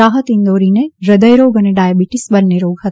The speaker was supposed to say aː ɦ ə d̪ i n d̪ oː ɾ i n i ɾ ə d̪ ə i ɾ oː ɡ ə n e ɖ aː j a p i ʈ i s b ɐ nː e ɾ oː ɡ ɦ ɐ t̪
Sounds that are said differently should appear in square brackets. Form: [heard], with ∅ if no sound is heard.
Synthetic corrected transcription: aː ɦ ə [t̪] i n d̪ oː ɾ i n [e] ɾ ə d̪ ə [j] ɾ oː ɡ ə n e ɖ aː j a [b] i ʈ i s b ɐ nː e ɾ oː ɡ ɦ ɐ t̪

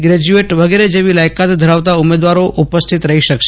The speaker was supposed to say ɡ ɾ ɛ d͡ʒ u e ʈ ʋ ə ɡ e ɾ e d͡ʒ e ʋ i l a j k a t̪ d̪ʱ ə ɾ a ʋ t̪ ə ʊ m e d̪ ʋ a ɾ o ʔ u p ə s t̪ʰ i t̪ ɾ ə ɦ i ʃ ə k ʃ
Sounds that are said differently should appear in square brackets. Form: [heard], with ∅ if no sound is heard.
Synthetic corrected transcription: ɡ ɾ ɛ d͡ʒ u e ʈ ʋ ə ɡ e ɾ e d͡ʒ e ʋ i l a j k a t̪ d̪ʱ ə ɾ a ʋ t̪ [a] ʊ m e d̪ ʋ a ɾ o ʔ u p ə s t̪ʰ i t̪ ɾ ə ɦ i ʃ ə k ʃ

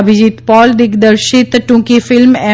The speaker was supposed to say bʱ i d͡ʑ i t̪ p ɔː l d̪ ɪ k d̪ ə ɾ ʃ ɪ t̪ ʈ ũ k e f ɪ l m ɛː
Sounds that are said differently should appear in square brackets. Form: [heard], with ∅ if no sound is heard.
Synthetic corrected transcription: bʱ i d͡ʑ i t̪ p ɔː l d̪ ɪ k d̪ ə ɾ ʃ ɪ t̪ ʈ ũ k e f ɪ l m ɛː

